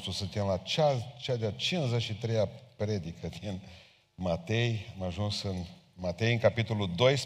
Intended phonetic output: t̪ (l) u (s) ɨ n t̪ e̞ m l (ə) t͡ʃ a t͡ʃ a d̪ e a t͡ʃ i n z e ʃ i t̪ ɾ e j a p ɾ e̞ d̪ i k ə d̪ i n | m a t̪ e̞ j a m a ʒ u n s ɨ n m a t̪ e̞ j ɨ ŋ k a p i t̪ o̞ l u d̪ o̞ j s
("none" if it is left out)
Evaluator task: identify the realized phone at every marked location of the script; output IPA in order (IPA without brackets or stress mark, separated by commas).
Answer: ɾ, s, a